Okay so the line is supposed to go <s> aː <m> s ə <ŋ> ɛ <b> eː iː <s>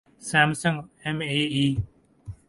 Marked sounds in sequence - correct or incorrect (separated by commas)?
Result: correct, correct, correct, incorrect, incorrect